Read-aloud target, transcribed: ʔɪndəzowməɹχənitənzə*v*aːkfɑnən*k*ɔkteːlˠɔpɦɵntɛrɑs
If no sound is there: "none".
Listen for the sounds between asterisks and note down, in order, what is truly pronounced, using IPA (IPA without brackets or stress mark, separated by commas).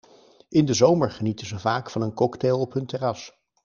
v, k